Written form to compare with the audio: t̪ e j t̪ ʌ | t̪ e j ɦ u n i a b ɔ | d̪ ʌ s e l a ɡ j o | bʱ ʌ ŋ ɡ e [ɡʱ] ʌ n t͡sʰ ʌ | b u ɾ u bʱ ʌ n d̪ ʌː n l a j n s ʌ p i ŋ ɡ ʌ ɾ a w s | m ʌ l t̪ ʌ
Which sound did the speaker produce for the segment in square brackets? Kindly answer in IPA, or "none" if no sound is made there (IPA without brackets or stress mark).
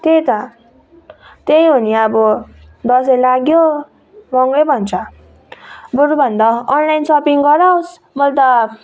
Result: bʱ